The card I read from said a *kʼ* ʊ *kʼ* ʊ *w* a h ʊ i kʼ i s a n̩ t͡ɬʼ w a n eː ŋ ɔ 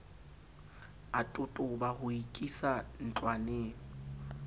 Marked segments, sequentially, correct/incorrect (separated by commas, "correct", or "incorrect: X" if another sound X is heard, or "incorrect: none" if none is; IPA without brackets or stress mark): incorrect: tʼ, incorrect: tʼ, incorrect: b